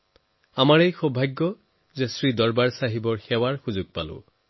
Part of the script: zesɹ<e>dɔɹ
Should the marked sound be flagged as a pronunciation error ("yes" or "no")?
yes